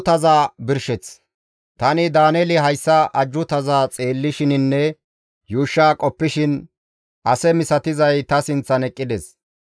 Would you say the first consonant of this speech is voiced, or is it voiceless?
voiceless